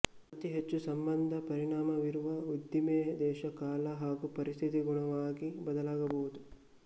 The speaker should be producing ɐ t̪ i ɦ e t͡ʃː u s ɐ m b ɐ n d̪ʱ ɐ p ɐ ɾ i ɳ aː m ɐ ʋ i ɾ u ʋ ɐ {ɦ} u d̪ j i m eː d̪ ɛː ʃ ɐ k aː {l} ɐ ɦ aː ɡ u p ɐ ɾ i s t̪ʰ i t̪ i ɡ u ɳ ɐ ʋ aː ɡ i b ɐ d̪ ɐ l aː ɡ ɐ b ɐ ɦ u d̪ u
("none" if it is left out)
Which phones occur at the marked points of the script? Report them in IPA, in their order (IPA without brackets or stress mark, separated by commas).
none, l